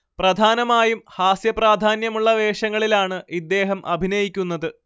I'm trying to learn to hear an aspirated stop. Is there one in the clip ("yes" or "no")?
no